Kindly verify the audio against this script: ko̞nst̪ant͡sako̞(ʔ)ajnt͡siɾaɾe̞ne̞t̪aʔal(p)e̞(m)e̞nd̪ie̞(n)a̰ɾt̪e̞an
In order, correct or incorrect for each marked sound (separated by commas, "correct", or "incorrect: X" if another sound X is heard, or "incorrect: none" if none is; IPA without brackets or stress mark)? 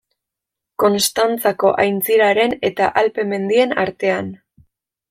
correct, correct, correct, correct